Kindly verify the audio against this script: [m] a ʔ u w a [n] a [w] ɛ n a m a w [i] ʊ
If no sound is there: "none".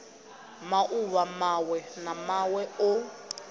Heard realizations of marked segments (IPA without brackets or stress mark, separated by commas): m, m, w, ɛ